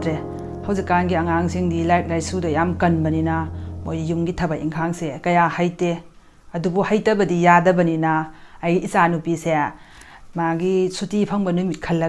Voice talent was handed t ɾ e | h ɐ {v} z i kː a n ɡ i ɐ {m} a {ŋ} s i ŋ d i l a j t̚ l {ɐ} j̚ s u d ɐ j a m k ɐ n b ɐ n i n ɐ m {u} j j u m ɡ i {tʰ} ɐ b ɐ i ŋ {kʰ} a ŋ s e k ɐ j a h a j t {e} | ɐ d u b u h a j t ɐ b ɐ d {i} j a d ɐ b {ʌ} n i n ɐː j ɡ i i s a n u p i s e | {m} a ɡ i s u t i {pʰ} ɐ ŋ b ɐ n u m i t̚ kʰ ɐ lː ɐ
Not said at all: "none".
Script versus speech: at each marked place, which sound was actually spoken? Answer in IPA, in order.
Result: w, ŋ, ŋ, a, o, tʰ, kʰ, e, i, ɐ, m, pʰ

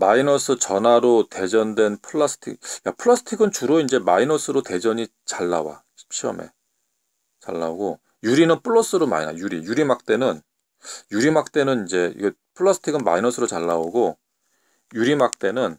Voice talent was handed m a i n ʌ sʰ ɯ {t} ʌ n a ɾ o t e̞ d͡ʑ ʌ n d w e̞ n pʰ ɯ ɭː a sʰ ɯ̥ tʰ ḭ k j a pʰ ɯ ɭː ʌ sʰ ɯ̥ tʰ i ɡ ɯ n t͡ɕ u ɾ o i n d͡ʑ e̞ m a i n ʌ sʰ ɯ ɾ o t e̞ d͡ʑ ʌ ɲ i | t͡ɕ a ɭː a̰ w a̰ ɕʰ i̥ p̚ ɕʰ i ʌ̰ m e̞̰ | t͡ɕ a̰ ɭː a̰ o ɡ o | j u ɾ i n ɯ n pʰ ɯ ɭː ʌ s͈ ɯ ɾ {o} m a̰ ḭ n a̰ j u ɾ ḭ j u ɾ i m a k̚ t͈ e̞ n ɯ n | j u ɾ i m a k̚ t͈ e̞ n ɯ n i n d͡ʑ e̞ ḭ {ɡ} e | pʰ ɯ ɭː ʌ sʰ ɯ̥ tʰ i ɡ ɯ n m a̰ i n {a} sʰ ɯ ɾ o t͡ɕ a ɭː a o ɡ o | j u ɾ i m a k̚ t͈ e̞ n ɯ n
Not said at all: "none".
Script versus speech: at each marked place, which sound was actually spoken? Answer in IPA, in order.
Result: t͡ɕ, o, ɡ, ʌ

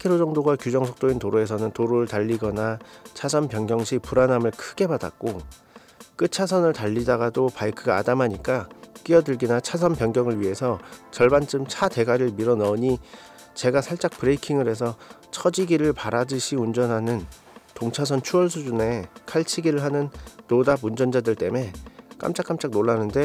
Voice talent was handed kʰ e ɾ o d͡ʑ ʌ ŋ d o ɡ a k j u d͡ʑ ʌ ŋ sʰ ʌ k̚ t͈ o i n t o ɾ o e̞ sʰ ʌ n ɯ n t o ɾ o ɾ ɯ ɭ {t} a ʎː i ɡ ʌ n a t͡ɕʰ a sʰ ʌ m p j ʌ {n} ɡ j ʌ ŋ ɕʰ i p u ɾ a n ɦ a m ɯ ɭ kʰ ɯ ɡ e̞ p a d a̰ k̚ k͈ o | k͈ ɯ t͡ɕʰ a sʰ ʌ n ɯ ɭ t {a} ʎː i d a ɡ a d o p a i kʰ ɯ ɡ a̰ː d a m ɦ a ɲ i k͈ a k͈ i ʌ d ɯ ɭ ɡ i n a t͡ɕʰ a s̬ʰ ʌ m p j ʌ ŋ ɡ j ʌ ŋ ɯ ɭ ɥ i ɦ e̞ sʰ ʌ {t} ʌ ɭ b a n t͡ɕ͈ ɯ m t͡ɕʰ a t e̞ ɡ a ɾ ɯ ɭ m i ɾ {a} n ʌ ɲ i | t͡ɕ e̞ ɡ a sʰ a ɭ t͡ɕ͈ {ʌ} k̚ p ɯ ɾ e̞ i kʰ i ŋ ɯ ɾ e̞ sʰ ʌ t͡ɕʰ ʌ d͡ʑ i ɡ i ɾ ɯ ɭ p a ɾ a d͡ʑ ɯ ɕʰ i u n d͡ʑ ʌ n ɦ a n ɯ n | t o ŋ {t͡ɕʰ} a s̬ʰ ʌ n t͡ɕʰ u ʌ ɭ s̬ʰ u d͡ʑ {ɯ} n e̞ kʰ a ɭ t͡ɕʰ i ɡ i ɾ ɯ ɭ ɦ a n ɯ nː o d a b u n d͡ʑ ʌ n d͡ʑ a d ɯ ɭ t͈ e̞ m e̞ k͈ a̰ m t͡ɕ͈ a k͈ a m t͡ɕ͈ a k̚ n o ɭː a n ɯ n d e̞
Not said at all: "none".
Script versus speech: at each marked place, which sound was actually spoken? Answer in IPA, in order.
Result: t, ŋ, a, t͡ɕ, ʌ, a, t͡ɕʰ, u

